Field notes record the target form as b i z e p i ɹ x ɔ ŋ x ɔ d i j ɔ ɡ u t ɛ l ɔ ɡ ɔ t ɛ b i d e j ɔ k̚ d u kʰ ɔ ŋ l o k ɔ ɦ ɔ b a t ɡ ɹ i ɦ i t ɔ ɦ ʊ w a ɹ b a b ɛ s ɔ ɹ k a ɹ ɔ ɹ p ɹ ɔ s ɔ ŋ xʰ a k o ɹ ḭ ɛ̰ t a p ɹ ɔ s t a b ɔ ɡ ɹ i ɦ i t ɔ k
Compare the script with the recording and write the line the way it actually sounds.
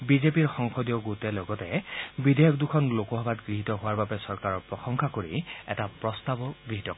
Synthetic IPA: b i z e p i ɹ x ɔ ŋ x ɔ d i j ɔ ɡ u t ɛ l ɔ ɡ ɔ t ɛ b i d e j ɔ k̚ d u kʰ ɔ n l o k ɔ ɦ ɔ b a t ɡ ɹ i ɦ i t ɔ ɦ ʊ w a ɹ b a b ɛ s ɔ ɹ k a ɹ ɔ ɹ p ɹ ɔ x ɔ ŋ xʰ a k o ɹ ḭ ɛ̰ t a p ɹ ɔ s t a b ɔ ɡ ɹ i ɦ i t ɔ k